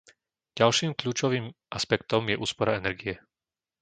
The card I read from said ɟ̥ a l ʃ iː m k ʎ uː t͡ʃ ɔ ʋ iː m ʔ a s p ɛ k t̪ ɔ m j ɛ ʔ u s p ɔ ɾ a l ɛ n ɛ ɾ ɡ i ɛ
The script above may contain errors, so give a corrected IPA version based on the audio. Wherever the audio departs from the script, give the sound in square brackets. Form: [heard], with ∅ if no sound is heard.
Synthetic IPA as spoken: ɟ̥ a l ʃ iː m k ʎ uː t͡ʃ ɔ ʋ iː m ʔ a s p ɛ k t̪ ɔ m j ɛ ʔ [uː] s p ɔ ɾ a [∅] ɛ n ɛ ɾ ɡ i ɛ